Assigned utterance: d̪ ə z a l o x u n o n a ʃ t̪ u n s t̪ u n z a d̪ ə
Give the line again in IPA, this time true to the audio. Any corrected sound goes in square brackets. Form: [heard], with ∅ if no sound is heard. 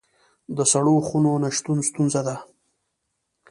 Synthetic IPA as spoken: d̪ ə [s] a [ɽ] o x u n o n a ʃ t̪ u n s t̪ u n z a d̪ [a]